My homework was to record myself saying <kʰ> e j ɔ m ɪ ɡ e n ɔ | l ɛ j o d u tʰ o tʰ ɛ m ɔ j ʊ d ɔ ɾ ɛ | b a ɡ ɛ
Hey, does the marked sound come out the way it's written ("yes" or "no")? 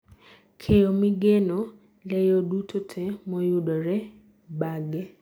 yes